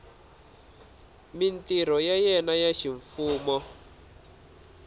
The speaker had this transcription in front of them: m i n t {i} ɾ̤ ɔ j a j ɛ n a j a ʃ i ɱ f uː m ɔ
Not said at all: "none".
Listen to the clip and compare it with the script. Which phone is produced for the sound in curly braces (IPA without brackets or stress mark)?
i